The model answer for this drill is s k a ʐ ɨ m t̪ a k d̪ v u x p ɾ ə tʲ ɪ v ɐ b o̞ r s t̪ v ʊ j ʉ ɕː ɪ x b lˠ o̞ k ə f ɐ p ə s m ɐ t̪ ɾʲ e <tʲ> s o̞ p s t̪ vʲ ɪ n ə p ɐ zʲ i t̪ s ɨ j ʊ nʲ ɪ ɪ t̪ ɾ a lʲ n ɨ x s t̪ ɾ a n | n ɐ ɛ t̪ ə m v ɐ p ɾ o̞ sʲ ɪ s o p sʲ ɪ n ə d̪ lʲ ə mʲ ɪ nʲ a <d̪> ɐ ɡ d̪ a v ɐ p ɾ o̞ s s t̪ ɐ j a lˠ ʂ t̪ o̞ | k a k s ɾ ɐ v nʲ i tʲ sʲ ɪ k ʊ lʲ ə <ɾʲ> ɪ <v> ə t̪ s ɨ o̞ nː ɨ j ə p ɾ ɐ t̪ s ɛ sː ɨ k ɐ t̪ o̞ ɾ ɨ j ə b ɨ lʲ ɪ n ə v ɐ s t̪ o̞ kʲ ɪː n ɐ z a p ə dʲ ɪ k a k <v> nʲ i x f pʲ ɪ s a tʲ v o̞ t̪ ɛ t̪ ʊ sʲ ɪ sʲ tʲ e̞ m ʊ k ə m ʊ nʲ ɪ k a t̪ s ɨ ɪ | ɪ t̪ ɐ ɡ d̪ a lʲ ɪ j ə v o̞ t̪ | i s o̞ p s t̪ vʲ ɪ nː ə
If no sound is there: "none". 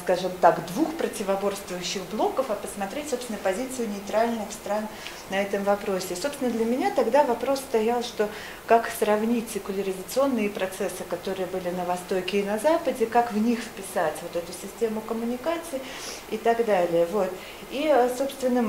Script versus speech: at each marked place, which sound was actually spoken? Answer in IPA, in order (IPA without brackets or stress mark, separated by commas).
tʲ, t̪, ɾʲ, z, v